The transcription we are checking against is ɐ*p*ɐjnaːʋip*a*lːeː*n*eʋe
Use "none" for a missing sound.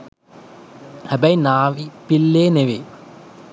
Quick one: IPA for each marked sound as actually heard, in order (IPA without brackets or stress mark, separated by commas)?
b, i, n